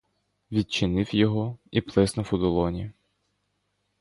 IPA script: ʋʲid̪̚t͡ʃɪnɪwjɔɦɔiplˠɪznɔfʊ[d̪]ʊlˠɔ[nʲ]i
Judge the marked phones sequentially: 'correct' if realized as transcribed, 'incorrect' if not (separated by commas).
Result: correct, correct